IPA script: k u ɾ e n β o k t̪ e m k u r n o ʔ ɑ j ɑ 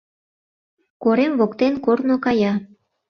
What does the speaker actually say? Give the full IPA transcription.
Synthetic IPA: k o ɾ e m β o k t̪ e n k o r n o k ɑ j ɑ